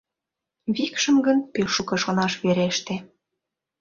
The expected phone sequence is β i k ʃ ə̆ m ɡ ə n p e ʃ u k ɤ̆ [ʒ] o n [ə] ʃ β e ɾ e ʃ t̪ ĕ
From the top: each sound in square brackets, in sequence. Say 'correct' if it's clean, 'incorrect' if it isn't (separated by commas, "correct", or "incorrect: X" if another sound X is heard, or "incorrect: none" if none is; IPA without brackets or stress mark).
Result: incorrect: ʃ, incorrect: ɑ